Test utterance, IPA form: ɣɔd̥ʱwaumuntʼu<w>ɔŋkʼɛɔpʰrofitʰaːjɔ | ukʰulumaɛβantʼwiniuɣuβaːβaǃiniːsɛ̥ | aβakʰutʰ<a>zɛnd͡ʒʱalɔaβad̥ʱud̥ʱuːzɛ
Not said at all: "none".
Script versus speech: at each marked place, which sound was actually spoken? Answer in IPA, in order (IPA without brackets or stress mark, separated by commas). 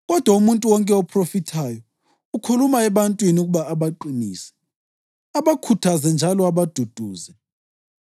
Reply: w, a